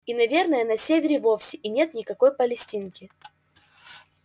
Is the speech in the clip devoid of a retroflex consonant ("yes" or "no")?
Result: yes